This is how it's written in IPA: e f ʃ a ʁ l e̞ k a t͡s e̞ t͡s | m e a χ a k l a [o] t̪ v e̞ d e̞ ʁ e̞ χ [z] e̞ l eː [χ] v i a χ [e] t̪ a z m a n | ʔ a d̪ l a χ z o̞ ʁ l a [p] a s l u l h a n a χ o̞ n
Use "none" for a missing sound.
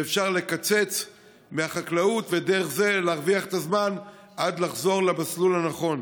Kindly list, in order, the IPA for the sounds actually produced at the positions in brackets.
u, z, ʁ, e, b

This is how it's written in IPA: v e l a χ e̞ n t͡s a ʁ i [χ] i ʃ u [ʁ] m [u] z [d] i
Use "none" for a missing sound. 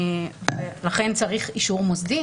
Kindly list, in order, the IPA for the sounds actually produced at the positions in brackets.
χ, ʁ, o, d

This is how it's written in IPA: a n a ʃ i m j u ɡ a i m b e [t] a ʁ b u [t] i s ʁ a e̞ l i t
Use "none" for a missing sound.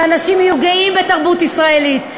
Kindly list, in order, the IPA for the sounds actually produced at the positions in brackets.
t, t

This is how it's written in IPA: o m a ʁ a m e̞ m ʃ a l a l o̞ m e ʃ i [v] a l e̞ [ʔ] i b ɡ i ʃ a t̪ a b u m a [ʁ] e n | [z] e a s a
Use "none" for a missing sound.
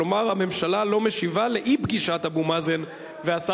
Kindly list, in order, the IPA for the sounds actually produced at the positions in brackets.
v, ʔ, z, v

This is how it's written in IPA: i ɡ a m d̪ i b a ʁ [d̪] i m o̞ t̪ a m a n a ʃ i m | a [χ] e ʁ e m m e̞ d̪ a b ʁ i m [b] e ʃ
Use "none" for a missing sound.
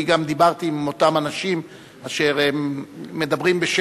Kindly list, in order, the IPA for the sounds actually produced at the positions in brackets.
t̪, ʃ, b

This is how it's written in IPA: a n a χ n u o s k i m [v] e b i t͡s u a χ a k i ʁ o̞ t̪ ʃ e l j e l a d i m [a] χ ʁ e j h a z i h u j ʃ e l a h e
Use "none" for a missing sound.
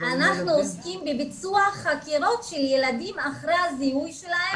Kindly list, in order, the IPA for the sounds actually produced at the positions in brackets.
b, a

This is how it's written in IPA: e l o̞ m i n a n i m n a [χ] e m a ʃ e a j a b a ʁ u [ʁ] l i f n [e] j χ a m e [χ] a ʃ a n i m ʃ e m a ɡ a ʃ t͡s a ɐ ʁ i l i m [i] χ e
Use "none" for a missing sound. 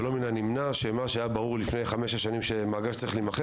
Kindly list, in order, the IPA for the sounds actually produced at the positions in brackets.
ʃ, ʁ, e, ʃ, a

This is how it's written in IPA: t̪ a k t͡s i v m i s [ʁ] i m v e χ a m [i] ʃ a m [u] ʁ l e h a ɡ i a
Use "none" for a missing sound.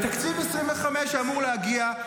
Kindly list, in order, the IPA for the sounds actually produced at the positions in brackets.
ʁ, e, u

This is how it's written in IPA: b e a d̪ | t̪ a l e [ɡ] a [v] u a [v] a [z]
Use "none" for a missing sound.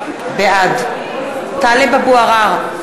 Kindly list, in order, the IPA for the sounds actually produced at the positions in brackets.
b, b, ʁ, ʁ

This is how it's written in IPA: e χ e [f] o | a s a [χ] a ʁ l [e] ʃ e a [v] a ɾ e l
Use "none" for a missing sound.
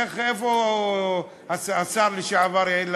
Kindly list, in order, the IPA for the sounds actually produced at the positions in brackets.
f, s, i, v

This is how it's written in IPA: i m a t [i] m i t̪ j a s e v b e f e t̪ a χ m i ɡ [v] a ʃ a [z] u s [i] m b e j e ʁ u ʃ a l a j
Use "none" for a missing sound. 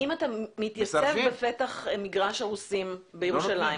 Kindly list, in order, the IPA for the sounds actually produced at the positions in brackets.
a, ʁ, ʁ, i

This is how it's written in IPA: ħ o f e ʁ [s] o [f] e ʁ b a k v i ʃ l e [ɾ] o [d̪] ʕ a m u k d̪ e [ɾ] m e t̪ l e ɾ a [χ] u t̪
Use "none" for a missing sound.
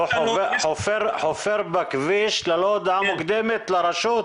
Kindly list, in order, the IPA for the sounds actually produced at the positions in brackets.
ħ, f, l, d̪, none, ʃ

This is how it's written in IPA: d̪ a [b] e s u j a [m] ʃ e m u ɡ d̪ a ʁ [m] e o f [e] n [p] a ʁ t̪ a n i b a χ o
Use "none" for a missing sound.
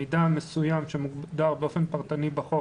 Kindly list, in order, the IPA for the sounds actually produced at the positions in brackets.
m, m, b, e, p

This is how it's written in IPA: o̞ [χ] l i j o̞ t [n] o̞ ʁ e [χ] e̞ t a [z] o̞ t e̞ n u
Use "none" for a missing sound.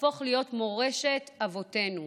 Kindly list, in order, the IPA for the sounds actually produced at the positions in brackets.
χ, m, ʃ, v

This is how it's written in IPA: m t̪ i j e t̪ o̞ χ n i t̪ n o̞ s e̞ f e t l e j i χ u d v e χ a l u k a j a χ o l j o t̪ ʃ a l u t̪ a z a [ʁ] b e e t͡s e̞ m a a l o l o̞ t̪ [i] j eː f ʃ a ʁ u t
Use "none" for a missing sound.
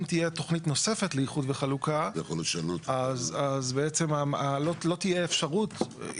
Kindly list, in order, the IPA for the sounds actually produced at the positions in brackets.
z, i

